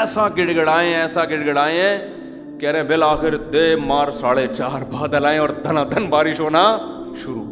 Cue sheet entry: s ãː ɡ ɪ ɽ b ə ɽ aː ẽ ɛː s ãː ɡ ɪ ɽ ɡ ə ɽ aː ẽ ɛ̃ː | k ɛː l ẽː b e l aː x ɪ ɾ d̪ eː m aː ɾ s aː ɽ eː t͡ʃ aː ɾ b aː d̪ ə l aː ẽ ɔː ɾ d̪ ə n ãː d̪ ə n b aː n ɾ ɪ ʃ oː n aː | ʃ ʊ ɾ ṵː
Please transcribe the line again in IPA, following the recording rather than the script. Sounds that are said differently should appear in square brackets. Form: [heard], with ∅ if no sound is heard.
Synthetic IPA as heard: s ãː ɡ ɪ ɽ [ɡ] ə ɽ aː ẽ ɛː s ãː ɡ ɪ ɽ ɡ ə ɽ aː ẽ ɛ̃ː | k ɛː [ɾ] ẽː b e l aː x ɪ ɾ d̪ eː m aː ɾ s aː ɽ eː t͡ʃ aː ɾ b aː d̪ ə l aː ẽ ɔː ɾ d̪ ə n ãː d̪ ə n b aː [∅] ɾ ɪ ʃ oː n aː | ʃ ʊ ɾ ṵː